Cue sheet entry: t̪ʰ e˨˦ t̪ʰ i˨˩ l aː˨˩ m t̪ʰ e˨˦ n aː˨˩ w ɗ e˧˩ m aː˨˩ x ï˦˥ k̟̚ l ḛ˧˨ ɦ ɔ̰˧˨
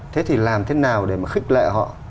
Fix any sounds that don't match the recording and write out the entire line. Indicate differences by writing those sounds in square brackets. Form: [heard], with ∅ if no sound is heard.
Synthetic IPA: t̪ʰ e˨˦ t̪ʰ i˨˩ l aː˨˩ m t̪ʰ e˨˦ n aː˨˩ w ɗ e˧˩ m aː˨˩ x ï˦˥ k̟̚ l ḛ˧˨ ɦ ɔ̰˧˨